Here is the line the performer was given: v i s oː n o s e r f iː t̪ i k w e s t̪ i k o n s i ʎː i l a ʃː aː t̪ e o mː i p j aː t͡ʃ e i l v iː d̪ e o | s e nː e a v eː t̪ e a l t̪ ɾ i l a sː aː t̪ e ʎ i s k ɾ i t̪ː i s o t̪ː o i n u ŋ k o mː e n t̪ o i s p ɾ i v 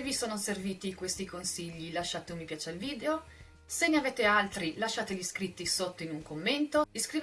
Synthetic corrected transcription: v i s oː n o s e r v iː t̪ i k w e s t̪ i k o n s i ʎː i l a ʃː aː t̪ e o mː i p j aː t͡ʃ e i l v iː d̪ e o | s e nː e a v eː t̪ e a l t̪ ɾ i l a ʃː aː t̪ e ʎ i s k ɾ i t̪ː i s o t̪ː o i n u ŋ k o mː e n t̪ o i s k ɾ i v